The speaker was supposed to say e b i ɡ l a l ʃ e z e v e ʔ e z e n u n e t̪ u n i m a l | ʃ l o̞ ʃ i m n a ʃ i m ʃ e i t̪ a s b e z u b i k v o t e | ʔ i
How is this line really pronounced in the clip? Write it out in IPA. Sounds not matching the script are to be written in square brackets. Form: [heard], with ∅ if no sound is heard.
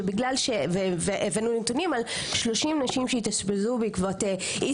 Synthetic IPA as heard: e b i ɡ l a l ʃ e [v] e v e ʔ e [v] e n u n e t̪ u n i m a l | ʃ l o̞ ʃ i m n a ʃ i m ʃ e i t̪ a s b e z u b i k v o t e | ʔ i